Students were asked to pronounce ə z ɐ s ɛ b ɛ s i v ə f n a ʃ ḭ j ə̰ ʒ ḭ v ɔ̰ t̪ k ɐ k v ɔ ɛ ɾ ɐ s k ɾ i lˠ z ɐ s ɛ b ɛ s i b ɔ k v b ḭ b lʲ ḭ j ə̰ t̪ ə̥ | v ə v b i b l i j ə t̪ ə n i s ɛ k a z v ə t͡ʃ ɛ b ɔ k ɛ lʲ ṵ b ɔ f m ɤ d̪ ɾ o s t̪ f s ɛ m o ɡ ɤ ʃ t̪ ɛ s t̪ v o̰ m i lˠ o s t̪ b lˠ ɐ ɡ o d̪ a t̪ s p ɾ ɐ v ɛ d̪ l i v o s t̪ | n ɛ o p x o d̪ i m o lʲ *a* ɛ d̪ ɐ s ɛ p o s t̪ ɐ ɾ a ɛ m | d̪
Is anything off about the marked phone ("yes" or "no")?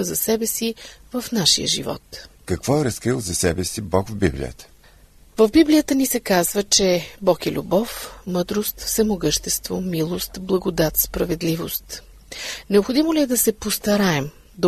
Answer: yes